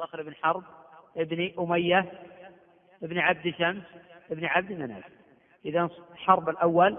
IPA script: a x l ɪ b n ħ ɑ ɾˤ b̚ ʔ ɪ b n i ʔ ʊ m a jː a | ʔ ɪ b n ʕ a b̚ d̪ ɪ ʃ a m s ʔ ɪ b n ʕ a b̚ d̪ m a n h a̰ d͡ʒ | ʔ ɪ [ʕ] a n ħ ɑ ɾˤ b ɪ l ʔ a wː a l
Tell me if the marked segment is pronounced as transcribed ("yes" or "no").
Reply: no